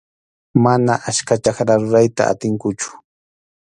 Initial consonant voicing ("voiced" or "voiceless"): voiced